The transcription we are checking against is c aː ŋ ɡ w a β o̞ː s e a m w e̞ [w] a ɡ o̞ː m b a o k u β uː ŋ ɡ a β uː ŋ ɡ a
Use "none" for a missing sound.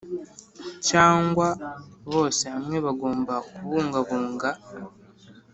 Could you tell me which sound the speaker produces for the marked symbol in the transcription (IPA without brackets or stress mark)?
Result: β